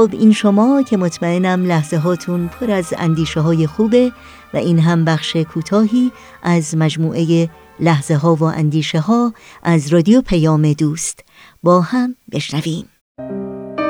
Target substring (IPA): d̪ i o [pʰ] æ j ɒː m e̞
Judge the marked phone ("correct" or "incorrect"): correct